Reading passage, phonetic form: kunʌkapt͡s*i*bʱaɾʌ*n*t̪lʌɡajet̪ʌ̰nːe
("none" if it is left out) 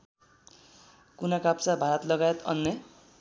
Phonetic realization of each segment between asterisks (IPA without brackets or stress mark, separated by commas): a, none